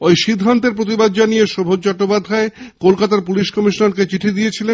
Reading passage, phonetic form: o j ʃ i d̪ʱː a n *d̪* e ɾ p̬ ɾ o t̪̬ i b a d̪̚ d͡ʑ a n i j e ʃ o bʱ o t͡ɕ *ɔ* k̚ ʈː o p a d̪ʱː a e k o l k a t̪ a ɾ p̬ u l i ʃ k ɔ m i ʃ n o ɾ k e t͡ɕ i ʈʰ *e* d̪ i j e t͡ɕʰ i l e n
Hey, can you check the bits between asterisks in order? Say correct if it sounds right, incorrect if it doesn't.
incorrect: t̪, correct, incorrect: i

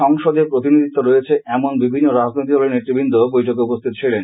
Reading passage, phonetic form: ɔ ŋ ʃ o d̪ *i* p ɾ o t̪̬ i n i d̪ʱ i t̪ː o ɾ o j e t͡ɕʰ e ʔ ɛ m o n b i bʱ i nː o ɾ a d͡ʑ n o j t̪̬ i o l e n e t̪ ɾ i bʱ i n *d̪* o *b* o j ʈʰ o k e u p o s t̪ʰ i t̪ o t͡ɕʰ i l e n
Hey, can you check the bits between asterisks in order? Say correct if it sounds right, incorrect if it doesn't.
incorrect: e, correct, correct

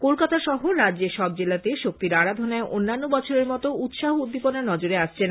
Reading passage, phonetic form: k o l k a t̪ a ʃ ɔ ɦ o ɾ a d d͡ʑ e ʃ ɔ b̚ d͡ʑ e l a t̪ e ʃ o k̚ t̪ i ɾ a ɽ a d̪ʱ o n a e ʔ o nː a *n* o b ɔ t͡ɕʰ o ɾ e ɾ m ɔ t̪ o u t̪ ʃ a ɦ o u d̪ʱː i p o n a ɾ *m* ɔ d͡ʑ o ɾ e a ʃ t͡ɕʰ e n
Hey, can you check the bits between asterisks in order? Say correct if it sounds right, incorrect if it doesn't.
incorrect: nː, incorrect: n

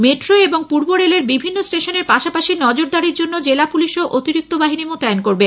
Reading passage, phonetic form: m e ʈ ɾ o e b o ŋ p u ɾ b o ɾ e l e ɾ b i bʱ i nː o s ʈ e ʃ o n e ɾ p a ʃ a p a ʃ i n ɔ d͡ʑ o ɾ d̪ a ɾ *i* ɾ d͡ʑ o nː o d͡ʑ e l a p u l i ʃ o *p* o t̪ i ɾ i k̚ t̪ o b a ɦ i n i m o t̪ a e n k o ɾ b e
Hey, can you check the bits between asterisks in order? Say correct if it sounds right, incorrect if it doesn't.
correct, incorrect: ʔ

